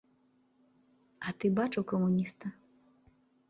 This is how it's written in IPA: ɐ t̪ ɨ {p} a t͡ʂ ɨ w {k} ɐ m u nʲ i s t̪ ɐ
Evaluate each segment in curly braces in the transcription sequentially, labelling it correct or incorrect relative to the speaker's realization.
incorrect, correct

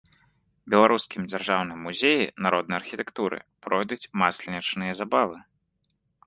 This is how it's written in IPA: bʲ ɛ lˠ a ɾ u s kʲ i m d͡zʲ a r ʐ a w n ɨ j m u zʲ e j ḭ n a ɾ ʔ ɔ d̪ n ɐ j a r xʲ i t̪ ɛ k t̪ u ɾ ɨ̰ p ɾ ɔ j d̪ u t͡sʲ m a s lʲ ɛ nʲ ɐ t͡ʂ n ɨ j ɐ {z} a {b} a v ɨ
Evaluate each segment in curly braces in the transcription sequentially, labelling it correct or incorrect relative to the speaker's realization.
correct, correct

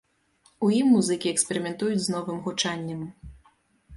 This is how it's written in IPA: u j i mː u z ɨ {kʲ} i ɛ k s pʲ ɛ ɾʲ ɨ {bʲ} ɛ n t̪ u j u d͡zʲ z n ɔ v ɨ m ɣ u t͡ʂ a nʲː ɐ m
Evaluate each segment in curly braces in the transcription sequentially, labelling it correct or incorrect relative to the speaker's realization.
correct, incorrect

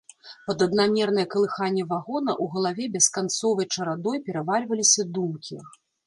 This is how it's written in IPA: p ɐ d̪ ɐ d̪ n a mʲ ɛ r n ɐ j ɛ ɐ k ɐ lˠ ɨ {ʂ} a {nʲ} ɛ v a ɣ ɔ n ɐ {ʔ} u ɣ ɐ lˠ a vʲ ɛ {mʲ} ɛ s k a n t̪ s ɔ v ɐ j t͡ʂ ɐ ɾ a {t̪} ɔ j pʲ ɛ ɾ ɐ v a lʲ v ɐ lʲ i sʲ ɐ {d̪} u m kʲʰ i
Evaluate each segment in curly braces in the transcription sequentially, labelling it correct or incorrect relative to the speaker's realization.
incorrect, incorrect, correct, incorrect, incorrect, correct

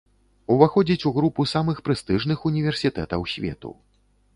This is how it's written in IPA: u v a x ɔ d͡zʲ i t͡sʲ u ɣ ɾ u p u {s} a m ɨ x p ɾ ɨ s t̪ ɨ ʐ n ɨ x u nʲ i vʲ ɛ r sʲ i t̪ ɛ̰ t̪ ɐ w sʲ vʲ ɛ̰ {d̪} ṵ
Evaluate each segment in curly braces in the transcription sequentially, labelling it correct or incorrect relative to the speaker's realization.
correct, incorrect

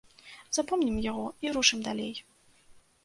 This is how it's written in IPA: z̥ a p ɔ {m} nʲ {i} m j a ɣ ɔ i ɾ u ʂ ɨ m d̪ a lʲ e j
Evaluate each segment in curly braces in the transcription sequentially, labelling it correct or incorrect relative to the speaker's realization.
correct, correct

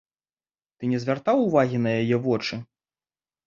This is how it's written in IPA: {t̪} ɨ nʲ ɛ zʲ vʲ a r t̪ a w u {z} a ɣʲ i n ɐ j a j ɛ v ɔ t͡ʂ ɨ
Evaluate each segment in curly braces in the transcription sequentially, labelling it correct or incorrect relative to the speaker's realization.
correct, incorrect

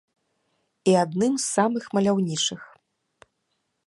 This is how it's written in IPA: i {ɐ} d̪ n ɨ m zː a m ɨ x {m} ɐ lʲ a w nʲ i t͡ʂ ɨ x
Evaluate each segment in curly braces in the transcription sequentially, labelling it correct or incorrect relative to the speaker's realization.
incorrect, correct

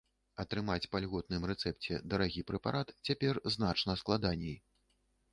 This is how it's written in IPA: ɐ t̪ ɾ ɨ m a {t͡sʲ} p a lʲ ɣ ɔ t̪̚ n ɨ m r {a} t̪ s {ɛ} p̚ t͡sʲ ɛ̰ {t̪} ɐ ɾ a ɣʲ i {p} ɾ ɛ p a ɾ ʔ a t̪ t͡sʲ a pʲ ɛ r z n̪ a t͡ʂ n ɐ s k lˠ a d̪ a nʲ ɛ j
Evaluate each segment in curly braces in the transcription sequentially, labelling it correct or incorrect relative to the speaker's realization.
correct, incorrect, correct, incorrect, correct

